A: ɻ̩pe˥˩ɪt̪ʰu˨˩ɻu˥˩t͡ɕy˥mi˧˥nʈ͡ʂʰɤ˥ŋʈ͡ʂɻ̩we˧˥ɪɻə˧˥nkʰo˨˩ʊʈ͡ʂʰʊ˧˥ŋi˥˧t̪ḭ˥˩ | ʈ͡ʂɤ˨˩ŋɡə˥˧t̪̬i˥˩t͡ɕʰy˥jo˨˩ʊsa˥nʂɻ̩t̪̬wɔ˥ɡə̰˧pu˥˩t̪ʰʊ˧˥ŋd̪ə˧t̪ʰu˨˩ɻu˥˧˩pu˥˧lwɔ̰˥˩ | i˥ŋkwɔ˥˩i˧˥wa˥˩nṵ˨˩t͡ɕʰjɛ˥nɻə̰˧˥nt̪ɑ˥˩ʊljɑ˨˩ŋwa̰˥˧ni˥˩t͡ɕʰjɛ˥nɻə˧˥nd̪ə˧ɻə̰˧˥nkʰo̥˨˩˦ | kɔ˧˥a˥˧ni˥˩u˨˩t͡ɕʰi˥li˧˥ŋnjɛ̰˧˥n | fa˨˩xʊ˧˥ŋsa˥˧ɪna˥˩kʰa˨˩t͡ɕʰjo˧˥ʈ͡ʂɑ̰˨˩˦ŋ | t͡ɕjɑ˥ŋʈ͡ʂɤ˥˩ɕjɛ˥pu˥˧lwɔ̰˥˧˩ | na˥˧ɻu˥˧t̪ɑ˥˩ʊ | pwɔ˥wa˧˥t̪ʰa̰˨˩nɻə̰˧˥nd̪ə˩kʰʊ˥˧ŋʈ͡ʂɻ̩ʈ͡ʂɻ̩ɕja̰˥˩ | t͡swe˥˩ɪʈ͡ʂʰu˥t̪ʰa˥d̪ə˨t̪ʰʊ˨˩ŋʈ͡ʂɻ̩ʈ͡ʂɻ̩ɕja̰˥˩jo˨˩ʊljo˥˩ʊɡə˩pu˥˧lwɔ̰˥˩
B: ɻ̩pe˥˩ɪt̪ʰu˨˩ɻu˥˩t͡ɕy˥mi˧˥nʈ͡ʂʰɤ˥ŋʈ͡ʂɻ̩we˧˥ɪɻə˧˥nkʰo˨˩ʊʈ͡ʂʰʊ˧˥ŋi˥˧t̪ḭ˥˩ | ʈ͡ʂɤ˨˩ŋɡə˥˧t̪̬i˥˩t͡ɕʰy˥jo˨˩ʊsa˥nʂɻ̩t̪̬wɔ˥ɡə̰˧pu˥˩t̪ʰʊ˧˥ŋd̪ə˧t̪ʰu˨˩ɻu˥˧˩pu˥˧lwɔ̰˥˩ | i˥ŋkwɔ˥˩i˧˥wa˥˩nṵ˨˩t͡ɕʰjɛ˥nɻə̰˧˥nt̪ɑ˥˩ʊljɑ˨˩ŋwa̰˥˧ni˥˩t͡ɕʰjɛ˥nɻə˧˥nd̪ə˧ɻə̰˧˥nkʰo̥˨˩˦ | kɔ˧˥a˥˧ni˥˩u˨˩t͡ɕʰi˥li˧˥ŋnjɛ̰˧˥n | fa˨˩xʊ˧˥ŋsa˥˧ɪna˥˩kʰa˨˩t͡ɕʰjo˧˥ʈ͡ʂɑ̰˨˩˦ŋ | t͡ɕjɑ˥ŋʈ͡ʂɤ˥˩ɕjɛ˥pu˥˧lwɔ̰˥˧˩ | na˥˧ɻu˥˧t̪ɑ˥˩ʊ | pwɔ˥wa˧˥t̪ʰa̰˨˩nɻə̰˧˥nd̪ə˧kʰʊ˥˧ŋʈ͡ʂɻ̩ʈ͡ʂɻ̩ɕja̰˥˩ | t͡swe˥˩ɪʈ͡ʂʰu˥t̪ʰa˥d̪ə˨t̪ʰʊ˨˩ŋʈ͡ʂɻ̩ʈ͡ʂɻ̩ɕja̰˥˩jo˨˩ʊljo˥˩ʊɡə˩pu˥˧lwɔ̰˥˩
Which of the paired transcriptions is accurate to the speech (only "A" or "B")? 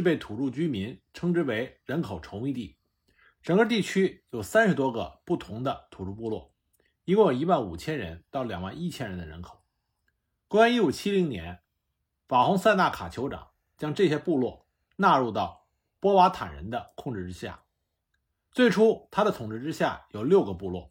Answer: B